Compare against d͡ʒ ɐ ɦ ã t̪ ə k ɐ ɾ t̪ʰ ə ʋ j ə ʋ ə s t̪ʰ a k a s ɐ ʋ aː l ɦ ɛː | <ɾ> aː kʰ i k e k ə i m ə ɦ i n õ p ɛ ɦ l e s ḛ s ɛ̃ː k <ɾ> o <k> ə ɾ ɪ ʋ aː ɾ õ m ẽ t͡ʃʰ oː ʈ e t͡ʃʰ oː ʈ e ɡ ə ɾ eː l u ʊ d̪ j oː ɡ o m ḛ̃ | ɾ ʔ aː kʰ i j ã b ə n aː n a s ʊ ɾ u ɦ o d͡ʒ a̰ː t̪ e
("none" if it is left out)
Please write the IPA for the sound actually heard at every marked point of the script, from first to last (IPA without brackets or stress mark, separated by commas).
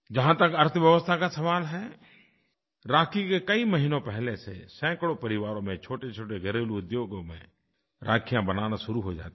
ɾ, ɽ, p